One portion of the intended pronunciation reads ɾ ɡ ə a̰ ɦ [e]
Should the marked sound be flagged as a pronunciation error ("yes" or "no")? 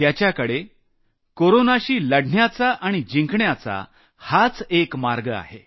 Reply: no